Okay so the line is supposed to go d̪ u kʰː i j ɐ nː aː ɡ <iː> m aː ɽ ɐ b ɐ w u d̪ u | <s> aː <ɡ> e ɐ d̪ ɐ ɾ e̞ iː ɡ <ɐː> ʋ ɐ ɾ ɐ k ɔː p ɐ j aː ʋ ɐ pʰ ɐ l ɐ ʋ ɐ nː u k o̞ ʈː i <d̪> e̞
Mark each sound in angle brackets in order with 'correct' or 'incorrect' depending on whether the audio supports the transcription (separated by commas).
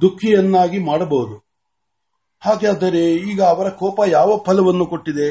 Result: incorrect, incorrect, correct, correct, correct